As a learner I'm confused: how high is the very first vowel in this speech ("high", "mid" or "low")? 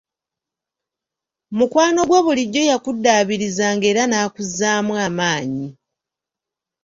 high